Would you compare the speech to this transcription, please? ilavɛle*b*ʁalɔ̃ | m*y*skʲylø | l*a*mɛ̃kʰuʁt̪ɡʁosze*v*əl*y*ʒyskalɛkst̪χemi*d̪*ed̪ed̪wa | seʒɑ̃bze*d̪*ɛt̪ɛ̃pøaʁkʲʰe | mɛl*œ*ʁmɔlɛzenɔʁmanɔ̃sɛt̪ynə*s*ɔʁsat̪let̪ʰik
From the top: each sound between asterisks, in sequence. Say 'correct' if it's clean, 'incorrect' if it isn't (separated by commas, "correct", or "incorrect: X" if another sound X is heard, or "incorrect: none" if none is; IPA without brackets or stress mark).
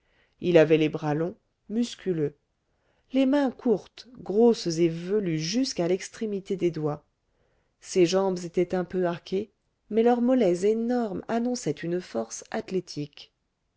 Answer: correct, correct, incorrect: e, correct, correct, incorrect: t̪, incorrect: t̪, correct, incorrect: f